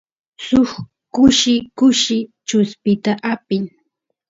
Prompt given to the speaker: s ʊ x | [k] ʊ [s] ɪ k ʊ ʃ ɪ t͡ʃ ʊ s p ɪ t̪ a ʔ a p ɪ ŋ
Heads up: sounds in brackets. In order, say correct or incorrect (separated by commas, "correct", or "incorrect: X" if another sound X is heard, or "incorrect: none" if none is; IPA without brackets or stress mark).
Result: correct, incorrect: ʃ